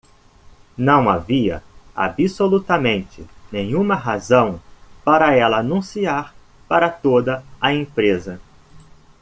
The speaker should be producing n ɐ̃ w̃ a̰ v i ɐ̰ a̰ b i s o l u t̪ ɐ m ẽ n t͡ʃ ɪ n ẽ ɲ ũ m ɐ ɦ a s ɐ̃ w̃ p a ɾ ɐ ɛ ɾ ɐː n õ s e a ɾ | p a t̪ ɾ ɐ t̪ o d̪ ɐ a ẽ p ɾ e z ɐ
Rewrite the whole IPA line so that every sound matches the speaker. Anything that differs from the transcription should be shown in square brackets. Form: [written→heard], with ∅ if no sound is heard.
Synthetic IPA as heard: n ɐ̃ w̃ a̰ v i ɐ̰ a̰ b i s o l u t̪ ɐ m ẽ n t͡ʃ ɪ n ẽ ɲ ũ m ɐ ɦ a [s→z] ɐ̃ w̃ p a ɾ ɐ ɛ [ɾ→l] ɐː n [õ→ũ] s [e→i] a ɾ | p a [t̪→∅] ɾ ɐ t̪ o d̪ ɐ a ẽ p ɾ e z ɐ